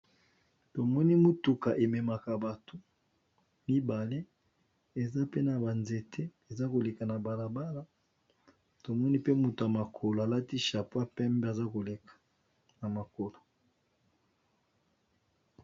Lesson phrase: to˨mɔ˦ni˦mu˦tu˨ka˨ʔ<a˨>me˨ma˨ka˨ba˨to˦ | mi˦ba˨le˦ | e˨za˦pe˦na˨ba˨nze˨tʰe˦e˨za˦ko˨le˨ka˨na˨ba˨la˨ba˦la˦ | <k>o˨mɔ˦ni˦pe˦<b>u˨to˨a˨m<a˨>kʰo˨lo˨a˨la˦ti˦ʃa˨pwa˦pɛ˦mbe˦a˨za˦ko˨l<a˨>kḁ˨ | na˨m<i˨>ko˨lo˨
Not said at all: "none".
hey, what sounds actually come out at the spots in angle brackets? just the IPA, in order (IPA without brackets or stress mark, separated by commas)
e˨, t, m, a˨, e˨, a˨